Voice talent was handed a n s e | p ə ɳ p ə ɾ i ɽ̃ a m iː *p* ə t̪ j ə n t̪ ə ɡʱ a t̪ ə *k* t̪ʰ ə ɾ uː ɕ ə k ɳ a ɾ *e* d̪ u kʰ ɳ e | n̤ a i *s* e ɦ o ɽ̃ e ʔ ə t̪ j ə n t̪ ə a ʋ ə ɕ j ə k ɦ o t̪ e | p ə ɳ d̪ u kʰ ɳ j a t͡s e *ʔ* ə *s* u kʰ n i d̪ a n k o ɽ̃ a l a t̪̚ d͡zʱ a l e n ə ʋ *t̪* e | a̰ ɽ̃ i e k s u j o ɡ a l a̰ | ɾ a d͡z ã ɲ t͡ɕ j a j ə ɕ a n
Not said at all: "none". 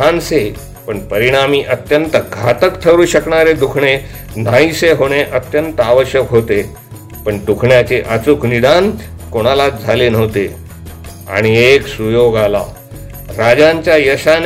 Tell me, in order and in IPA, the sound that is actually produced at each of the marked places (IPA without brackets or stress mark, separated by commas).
ʔ, k, e, s, ʔ, t͡s, t̪